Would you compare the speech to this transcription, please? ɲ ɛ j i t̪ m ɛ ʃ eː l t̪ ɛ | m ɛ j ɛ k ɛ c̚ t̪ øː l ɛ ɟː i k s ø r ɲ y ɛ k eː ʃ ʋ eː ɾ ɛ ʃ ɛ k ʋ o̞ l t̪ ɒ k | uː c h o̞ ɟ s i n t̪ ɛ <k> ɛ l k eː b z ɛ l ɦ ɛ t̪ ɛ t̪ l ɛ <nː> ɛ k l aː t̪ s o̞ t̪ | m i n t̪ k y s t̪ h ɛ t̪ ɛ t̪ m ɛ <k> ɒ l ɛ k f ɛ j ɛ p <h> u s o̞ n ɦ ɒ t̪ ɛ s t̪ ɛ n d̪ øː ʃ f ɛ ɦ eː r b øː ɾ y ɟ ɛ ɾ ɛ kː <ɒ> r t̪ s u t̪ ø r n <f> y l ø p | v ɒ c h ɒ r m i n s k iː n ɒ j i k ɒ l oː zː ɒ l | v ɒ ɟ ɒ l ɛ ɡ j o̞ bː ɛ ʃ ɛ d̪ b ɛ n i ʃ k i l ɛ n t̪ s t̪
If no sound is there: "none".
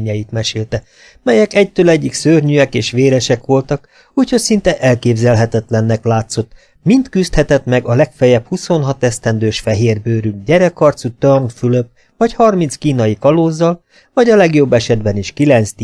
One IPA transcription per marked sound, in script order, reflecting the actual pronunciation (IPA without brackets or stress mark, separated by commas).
ʔ, nː, ɡ, h, ɒ, f